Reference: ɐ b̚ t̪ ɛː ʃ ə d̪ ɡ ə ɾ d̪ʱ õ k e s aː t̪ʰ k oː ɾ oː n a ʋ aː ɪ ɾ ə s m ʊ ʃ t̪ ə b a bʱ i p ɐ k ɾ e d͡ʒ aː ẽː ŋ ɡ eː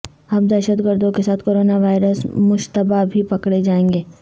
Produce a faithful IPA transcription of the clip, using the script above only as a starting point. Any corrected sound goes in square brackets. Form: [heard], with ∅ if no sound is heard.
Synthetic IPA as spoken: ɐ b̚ [d̪] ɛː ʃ ə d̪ ɡ ə ɾ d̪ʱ õ k e s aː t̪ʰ k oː ɾ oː n a ʋ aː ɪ ɾ ə s m ʊ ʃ t̪ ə b a bʱ i p ɐ k [ɽ] e d͡ʒ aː ẽː ŋ ɡ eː